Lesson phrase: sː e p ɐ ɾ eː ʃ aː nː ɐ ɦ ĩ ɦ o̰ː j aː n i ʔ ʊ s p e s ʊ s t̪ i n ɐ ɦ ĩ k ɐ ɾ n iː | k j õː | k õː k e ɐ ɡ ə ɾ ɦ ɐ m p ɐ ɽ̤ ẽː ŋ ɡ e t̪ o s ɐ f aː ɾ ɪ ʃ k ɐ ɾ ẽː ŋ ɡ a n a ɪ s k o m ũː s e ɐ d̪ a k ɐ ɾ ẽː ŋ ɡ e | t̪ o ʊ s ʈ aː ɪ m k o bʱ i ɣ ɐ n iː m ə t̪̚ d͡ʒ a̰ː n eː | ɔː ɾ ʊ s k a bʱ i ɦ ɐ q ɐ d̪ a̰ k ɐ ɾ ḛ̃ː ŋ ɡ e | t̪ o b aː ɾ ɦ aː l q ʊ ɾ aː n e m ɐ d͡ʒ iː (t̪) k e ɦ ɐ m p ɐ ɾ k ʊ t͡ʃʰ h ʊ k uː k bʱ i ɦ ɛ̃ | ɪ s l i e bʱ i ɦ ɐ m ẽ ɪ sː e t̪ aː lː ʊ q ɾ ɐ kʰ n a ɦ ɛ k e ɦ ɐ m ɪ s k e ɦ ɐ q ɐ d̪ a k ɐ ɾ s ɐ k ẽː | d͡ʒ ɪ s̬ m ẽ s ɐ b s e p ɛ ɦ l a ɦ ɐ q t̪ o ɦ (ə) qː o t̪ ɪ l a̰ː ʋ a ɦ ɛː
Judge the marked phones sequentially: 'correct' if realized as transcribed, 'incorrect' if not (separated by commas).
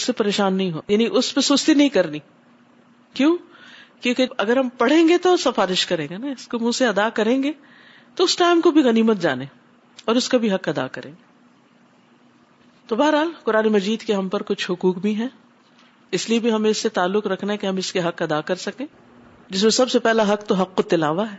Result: incorrect, incorrect